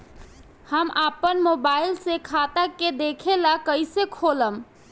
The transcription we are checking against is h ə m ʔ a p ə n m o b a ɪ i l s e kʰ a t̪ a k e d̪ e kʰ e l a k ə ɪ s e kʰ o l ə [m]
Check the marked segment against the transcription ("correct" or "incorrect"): correct